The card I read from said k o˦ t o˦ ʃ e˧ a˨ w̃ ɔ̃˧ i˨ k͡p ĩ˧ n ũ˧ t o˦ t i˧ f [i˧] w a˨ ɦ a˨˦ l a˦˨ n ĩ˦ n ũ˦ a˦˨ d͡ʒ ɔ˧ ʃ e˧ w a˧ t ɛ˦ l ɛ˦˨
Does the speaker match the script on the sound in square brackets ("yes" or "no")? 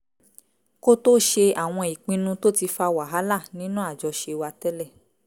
no